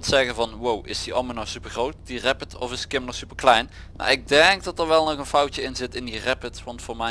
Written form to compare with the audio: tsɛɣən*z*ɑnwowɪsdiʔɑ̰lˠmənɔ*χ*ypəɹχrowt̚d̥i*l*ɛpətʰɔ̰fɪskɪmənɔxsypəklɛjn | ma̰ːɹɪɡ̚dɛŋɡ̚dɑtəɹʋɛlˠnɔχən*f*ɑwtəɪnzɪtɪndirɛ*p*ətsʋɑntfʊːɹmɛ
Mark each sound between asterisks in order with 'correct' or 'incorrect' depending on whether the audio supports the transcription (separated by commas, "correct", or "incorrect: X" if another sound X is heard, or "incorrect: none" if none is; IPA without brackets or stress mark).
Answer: incorrect: v, incorrect: s, incorrect: r, correct, correct